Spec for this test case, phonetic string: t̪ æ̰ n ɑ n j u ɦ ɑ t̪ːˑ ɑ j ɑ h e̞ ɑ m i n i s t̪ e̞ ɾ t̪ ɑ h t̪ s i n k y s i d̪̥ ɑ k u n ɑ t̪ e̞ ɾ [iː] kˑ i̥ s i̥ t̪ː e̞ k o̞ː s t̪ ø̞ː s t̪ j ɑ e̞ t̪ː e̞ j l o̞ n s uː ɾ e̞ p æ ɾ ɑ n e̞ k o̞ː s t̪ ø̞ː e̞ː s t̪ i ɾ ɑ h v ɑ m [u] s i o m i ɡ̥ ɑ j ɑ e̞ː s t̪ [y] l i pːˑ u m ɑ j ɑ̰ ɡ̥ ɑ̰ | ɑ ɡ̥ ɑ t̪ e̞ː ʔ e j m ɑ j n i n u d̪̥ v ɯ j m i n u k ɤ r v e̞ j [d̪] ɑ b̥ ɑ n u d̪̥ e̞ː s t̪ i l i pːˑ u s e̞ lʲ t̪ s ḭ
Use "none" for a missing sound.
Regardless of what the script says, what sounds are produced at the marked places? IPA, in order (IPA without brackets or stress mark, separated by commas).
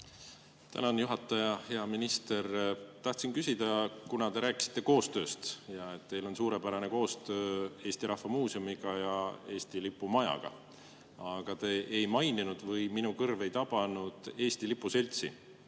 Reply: æː, uː, i, t̪